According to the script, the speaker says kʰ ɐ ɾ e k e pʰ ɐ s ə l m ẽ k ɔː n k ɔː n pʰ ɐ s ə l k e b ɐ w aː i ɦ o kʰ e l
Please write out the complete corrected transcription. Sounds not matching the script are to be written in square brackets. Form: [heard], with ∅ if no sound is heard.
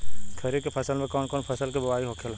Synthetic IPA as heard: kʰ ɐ ɾ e k e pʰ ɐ s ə l m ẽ k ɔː n k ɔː n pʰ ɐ s ə l k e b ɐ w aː i ɦ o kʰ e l